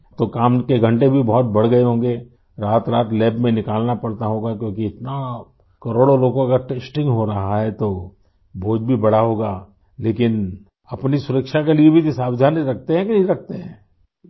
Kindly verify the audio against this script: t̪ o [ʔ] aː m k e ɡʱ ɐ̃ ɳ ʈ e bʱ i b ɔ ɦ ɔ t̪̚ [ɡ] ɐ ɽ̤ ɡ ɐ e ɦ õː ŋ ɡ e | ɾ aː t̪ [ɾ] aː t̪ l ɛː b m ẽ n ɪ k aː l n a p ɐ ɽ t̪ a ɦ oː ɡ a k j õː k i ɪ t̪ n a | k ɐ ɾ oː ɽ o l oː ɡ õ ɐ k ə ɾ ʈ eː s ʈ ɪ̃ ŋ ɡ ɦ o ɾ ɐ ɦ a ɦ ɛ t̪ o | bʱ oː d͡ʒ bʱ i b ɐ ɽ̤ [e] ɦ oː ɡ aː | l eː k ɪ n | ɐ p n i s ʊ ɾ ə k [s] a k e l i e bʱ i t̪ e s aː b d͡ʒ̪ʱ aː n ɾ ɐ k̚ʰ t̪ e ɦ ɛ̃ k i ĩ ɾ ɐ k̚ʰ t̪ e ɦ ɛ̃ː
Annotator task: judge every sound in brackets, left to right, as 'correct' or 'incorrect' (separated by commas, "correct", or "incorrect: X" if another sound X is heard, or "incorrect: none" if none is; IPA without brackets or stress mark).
incorrect: k, incorrect: b, correct, incorrect: a, incorrect: ʃ